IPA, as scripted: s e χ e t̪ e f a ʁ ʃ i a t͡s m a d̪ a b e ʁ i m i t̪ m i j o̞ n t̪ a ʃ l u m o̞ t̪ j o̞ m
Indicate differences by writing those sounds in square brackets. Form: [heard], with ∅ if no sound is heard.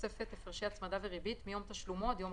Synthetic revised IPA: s e [f] e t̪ e f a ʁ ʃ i a t͡s m a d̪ a [v] e ʁ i [b] i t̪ m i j o̞ [m] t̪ a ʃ l u m o̞ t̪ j o̞ m